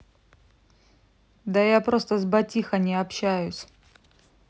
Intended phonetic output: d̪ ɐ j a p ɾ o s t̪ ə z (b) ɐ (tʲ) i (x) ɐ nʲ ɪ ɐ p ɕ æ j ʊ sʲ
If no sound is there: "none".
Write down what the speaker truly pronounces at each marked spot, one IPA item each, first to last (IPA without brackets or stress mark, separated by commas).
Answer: b, tʲ, x